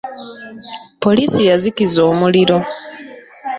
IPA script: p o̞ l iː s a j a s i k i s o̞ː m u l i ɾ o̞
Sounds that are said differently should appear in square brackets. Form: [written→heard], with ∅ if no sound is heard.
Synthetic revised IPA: p o̞ l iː s [a→i] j a [s→z] i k i [s→z] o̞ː m u l i ɾ o̞